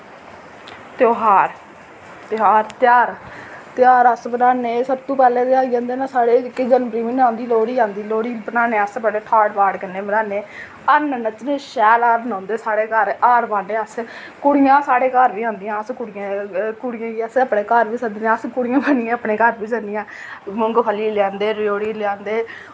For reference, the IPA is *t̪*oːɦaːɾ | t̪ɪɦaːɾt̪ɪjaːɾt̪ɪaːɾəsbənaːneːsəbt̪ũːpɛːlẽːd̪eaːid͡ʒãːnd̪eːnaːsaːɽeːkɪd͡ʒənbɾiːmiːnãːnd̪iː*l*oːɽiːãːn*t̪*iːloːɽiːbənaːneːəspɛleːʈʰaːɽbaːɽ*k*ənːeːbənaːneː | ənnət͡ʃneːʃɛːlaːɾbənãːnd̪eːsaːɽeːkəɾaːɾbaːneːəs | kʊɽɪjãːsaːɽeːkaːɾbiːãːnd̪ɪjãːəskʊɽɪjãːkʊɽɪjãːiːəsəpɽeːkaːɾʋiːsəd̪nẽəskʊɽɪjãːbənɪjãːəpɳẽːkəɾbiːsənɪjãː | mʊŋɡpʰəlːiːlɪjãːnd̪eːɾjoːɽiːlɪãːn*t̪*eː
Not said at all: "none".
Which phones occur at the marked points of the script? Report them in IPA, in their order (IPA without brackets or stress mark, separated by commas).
t̪, l, d̪, k, d̪